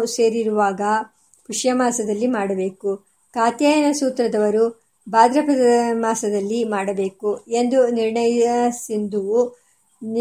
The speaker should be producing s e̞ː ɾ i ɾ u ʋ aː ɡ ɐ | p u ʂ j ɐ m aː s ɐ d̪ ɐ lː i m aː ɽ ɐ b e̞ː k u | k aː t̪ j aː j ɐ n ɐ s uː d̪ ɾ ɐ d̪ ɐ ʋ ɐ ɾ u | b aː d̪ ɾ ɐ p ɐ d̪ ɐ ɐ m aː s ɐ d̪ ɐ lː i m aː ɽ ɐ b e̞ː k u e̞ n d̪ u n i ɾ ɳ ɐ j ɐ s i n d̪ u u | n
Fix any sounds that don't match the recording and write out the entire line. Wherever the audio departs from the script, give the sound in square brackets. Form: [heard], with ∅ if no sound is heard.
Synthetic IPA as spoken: s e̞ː ɾ i ɾ u ʋ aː ɡ ɐ | p u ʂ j ɐ m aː s ɐ d̪ ɐ lː i m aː ɽ ɐ b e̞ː k u | k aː t̪ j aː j ɐ n ɐ s uː [t̪] ɾ ɐ d̪ ɐ ʋ ɐ ɾ u | b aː d̪ ɾ ɐ p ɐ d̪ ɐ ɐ m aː s ɐ d̪ ɐ lː i m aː ɽ ɐ b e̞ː k u e̞ n d̪ u n i ɾ ɳ ɐ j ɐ s i n d̪ u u | n